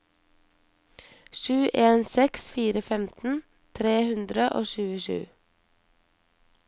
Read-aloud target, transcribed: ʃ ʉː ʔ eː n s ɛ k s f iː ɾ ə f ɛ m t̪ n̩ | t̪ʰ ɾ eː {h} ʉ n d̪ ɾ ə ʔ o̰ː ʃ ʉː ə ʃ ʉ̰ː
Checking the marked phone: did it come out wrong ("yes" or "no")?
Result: no